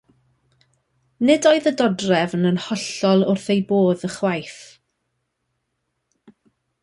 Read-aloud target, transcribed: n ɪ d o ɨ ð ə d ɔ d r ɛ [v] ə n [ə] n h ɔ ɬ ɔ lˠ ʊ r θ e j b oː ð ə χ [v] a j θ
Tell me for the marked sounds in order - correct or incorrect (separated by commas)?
correct, correct, incorrect